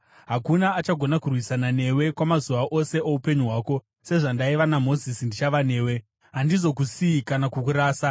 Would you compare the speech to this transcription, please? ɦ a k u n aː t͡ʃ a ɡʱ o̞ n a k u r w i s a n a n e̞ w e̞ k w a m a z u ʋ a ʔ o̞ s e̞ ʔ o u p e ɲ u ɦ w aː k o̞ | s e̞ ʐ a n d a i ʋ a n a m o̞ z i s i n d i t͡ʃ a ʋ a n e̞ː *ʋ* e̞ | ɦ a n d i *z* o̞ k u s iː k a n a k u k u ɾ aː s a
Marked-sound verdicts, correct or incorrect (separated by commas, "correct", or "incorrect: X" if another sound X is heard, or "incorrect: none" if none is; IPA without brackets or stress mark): incorrect: w, correct